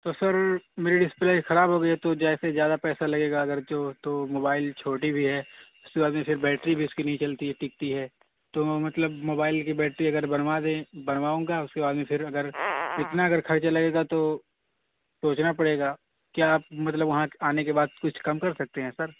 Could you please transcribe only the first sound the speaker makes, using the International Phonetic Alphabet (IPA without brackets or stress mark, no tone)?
t̪